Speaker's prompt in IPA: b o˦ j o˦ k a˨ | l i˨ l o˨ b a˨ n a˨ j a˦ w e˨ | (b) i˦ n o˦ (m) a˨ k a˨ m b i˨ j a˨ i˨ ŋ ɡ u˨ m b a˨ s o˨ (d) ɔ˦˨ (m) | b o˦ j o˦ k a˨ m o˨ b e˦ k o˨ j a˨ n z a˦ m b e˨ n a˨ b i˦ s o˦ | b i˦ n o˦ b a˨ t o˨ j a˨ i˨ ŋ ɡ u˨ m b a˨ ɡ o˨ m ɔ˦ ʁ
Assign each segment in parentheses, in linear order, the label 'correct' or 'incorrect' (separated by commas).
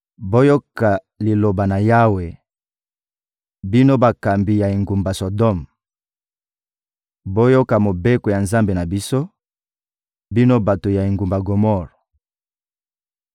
correct, incorrect, correct, correct